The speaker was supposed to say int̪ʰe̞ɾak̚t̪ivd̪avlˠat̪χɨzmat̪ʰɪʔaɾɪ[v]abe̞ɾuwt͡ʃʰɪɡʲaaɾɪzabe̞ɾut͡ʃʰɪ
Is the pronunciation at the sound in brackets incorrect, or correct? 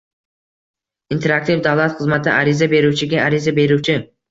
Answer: incorrect